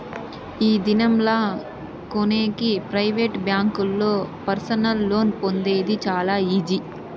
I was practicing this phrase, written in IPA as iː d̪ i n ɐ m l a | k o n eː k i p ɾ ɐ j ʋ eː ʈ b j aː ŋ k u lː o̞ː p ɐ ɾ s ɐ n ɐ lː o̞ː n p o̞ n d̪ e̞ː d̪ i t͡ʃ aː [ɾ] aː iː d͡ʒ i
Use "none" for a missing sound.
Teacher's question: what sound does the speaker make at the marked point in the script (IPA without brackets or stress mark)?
l